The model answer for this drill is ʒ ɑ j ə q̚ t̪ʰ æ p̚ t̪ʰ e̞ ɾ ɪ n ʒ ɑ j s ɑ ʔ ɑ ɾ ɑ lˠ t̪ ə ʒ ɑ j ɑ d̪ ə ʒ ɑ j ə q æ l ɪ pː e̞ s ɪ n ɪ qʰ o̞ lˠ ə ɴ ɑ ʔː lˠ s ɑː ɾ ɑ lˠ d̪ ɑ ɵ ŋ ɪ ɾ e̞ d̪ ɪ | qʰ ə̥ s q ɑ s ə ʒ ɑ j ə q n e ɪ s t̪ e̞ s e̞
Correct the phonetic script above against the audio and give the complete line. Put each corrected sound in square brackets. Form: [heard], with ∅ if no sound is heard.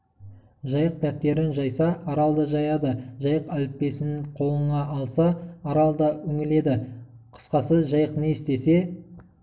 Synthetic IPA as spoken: ʒ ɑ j ə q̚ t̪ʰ æ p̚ [t̪] e̞ ɾ ɪ n ʒ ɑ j s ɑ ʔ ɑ ɾ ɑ lˠ [d̪] ə ʒ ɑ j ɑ d̪ ə ʒ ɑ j ə q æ l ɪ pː e̞ s ɪ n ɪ qʰ o̞ lˠ ə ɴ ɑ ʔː lˠ s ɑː ɾ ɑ lˠ d̪ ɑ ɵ ŋ ɪ [l] e̞ d̪ ɪ | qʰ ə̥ s q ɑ s ə ʒ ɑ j ə q n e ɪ s t̪ e̞ s e̞

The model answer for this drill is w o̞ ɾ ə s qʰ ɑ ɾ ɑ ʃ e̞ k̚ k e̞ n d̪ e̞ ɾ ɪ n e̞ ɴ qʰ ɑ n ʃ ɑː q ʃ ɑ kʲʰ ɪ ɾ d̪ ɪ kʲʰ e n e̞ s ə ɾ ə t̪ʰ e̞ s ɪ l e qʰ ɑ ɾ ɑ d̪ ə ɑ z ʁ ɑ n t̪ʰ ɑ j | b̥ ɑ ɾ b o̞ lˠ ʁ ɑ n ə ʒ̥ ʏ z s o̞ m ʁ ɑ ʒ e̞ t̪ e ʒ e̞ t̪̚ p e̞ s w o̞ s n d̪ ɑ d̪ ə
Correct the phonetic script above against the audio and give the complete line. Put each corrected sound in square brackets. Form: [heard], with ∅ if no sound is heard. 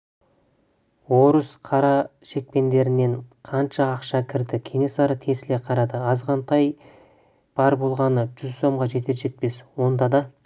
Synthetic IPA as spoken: w o̞ ɾ ə s qʰ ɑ ɾ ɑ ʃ e̞ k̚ [p] e̞ n d̪ e̞ ɾ ɪ n e̞ ɴ qʰ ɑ n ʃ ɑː q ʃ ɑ kʲʰ ɪ ɾ d̪ ɪ kʲʰ e n e̞ s [ɑ] ɾ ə t̪ʰ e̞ s ɪ l e qʰ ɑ ɾ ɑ d̪ ə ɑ z ʁ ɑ n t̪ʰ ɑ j | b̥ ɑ ɾ b o̞ lˠ ʁ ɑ n ə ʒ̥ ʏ z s o̞ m ʁ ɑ ʒ e̞ t̪ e ʒ e̞ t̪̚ p e̞ s w o̞ [∅] n d̪ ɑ d̪ [ɑ]

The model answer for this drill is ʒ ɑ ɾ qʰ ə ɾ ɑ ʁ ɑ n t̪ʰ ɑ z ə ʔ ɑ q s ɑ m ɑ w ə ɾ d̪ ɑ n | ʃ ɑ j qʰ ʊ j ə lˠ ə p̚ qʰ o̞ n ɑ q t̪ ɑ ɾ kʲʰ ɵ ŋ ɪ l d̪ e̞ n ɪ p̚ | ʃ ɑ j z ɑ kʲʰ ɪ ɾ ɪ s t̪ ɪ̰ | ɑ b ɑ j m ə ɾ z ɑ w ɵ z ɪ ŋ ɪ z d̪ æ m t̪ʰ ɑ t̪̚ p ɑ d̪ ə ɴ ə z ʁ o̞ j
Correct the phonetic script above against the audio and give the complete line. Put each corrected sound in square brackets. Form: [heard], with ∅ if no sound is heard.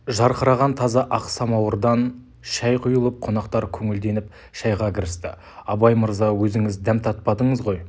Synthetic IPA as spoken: ʒ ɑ ɾ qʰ ə ɾ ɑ ʁ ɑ n t̪ʰ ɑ z [ɑ] ʔ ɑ q s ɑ m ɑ w ə ɾ d̪ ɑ n | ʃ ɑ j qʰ ʊ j ə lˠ ə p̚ qʰ o̞ n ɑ q t̪ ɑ ɾ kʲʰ ɵ ŋ ɪ l d̪ e̞ n ɪ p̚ | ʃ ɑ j [ʁ] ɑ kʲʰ ɪ ɾ ɪ s t̪ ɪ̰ | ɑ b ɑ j m ə ɾ z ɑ w ɵ z ɪ ŋ ɪ z d̪ æ m t̪ʰ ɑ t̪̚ p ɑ d̪ ə ɴ ə z ʁ o̞ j

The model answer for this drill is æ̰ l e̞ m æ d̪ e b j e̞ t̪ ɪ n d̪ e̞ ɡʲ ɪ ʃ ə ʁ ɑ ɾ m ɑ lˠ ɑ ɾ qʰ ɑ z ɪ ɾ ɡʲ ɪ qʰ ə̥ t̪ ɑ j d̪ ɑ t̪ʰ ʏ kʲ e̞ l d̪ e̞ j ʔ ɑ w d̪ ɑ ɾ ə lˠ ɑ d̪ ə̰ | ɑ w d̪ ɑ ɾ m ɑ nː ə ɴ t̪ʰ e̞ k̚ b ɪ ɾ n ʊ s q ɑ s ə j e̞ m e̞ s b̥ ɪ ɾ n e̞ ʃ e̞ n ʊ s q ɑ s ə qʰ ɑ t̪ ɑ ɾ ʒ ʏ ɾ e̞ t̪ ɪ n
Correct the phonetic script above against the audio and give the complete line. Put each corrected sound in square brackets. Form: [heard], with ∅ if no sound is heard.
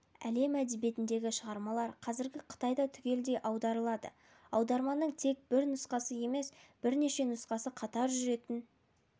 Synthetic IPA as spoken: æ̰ l e̞ m æ d̪ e b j e̞ t̪ ɪ n d̪ e̞ ɡʲ ɪ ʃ ə ʁ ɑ ɾ m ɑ lˠ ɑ ɾ qʰ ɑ z ɪ ɾ ɡʲ ɪ qʰ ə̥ t̪ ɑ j d̪ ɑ t̪ʰ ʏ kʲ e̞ l d̪ e̞ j ʔ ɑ w d̪ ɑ ɾ ə lˠ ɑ d̪ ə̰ | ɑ w d̪ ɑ ɾ m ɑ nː ə ɴ t̪ʰ e̞ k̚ b ɪ ɾ n ʊ s q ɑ s ə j e̞ m e̞ s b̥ ɪ ɾ n e̞ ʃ e̞ n ʊ s q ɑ s ə qʰ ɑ t̪ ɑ ɾ ʒ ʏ ɾ e̞ t̪ ɪ n

